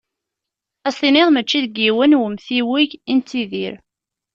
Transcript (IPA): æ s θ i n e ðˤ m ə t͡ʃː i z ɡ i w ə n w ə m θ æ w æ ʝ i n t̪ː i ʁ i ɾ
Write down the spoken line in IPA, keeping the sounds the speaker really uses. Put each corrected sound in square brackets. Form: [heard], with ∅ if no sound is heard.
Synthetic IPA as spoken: æ s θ i n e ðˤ m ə t͡ʃː i [ð] ɡ i w ə n w ə m θ [i] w [i] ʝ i n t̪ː i [ð] i ɾ